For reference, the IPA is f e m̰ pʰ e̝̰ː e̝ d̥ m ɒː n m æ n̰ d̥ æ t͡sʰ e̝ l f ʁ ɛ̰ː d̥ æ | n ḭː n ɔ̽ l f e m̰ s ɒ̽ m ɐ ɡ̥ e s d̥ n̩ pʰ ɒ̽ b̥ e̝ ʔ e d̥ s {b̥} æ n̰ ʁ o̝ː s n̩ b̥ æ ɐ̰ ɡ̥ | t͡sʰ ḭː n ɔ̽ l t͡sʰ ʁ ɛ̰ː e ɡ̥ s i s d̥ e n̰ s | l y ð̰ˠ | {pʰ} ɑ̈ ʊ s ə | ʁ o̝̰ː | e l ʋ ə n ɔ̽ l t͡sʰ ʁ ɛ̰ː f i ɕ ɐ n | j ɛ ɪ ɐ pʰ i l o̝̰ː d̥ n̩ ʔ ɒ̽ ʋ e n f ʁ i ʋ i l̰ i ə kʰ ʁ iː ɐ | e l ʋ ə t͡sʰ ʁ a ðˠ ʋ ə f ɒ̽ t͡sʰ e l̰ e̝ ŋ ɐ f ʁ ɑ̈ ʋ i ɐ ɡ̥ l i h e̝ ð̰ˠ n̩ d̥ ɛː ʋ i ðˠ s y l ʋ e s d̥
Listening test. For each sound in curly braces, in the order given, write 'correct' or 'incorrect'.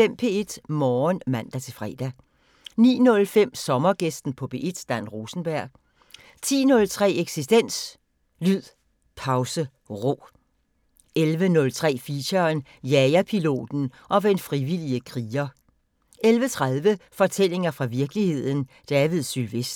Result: incorrect: d̥, correct

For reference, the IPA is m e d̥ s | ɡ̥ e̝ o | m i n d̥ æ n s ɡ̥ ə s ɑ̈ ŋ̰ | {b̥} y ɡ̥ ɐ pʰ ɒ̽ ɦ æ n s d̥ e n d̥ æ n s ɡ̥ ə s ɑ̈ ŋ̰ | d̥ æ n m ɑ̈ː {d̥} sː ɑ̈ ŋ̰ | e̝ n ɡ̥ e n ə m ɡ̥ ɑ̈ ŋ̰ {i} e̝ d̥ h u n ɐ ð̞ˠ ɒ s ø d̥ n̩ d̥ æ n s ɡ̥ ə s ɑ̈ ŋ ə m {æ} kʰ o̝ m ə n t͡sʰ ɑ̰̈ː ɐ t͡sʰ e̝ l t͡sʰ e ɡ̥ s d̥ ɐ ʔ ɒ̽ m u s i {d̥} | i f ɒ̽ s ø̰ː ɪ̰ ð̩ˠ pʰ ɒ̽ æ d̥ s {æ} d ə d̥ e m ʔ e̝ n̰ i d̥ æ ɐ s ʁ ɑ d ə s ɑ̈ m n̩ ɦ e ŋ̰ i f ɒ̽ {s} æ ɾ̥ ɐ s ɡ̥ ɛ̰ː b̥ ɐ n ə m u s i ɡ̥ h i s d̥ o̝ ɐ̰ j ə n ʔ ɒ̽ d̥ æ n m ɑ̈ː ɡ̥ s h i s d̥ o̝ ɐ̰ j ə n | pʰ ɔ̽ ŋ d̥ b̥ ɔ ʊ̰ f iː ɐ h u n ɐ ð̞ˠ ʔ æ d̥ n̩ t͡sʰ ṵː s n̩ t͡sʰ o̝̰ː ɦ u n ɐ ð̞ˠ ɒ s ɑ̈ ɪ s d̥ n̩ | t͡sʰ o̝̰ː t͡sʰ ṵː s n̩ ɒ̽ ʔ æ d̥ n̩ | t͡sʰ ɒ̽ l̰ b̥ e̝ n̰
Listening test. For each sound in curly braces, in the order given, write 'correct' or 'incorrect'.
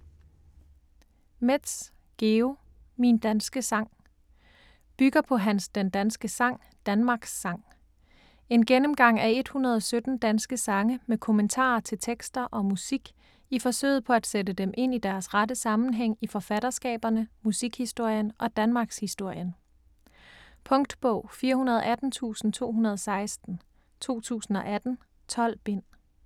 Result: correct, incorrect: ɡ̥, incorrect: æ, incorrect: e, incorrect: ɡ̥, incorrect: e, incorrect: f

